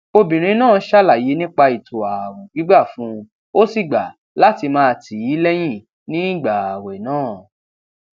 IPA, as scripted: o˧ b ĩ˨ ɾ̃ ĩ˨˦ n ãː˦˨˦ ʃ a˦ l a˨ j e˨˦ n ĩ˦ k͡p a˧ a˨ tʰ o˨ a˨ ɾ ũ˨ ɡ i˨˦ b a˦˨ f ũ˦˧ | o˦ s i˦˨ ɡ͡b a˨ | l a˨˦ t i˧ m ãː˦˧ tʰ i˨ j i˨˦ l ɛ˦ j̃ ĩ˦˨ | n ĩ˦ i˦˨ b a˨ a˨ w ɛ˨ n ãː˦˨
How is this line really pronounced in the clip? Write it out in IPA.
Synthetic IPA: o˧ b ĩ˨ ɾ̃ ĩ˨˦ n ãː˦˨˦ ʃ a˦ l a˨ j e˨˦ n ĩ˦ k͡p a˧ i˨ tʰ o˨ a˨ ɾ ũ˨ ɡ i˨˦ ɡ͡b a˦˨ f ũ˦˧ | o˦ s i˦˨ ɡ͡b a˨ | l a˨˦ t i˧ m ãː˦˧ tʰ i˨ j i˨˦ l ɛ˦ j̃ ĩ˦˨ | n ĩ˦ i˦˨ ɡ͡b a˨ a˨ w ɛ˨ n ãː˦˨